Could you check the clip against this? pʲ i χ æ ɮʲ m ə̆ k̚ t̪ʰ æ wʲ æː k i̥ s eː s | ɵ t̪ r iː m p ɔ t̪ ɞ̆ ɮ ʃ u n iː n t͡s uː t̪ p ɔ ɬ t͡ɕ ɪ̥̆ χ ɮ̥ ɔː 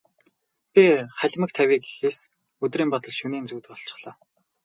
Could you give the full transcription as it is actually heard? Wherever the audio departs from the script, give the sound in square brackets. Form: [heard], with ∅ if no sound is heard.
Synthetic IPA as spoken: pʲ i χ æ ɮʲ m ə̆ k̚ t̪ʰ æ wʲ [iː] k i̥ [x] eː s | ɵ t̪ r iː m p ɔ t̪ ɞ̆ ɮ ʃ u n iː n t͡s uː t̪ p ɔ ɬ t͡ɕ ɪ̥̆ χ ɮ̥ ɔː